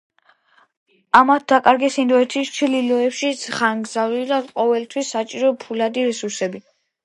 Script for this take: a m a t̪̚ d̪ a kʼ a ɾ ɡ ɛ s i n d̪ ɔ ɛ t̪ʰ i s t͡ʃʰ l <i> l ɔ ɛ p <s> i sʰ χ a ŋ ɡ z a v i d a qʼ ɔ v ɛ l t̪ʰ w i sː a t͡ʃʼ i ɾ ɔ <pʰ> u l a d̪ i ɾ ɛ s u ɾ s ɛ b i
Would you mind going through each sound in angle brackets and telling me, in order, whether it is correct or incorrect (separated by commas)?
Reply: correct, incorrect, correct